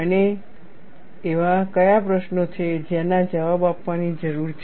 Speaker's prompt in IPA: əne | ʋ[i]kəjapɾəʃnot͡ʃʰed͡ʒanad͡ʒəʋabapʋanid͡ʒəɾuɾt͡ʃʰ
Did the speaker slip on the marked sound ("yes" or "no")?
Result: yes